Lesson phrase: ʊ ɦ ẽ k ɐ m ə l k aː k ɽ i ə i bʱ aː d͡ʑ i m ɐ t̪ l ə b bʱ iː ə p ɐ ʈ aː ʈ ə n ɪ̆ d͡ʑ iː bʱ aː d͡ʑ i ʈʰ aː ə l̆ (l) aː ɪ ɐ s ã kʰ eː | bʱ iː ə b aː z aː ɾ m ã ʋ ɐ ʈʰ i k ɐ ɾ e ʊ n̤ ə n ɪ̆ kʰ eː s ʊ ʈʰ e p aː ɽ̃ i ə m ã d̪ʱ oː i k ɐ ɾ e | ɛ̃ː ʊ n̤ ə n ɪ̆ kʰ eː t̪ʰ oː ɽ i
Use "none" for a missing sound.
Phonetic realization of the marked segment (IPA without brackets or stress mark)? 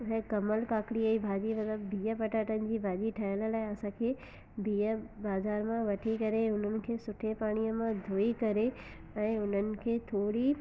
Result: l